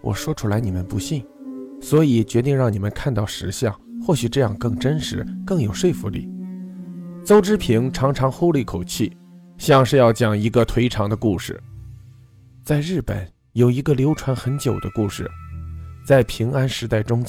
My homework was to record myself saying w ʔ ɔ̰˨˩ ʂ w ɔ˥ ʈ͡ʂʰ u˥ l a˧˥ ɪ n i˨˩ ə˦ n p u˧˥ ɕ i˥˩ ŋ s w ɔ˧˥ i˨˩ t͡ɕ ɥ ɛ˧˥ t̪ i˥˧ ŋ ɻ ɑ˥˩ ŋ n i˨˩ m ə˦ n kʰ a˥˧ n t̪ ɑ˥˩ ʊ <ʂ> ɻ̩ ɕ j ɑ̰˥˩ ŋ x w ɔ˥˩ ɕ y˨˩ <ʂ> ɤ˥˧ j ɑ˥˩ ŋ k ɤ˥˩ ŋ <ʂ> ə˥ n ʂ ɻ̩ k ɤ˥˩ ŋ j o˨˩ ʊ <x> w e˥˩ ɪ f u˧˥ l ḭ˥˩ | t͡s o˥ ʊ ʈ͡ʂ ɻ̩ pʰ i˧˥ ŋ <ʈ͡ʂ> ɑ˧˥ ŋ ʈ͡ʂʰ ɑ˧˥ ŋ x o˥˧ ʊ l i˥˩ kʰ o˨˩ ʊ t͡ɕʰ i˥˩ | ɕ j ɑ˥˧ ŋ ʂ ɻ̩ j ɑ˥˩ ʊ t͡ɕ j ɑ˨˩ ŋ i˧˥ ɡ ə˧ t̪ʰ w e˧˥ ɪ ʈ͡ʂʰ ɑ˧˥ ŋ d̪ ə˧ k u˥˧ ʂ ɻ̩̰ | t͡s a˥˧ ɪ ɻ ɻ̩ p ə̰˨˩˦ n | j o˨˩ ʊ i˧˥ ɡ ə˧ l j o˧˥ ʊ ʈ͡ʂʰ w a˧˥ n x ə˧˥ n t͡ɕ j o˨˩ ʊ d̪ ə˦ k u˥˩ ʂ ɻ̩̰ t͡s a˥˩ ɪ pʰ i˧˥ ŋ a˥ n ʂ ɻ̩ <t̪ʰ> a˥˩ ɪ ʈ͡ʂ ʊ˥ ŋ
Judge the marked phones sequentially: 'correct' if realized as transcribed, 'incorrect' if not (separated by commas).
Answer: correct, incorrect, incorrect, incorrect, incorrect, incorrect